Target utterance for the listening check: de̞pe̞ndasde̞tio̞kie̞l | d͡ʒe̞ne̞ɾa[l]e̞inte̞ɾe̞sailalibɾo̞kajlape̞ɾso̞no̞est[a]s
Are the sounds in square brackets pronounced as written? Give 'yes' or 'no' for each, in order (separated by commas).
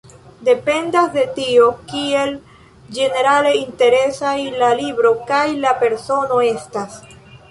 yes, yes